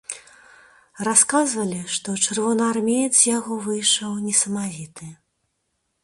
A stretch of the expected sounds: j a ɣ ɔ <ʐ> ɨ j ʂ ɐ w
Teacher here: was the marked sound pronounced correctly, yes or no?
no